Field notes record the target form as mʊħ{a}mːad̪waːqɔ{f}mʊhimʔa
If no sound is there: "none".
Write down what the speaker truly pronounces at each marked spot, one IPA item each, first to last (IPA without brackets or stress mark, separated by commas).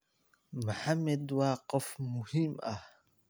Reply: a, f